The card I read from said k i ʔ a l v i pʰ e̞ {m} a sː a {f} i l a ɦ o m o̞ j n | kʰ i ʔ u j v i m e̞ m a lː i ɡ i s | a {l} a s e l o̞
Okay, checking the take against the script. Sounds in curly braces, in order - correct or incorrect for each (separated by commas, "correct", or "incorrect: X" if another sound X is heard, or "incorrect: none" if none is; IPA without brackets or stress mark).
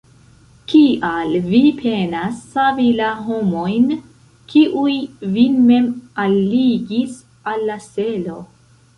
incorrect: n, incorrect: v, incorrect: lː